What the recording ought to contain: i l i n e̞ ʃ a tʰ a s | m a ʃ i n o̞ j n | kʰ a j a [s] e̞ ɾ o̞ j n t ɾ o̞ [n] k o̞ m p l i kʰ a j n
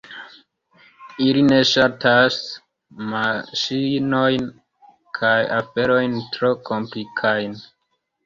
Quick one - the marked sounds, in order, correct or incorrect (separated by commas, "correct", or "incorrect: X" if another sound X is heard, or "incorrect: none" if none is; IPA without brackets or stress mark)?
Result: incorrect: f, incorrect: none